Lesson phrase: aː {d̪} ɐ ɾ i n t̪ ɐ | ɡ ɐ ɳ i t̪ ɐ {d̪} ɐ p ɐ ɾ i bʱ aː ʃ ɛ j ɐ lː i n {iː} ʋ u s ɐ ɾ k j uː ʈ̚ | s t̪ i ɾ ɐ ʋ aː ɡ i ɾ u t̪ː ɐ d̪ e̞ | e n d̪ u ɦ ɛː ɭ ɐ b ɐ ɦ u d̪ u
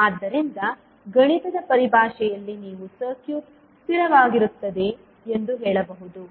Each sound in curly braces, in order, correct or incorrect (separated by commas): incorrect, correct, correct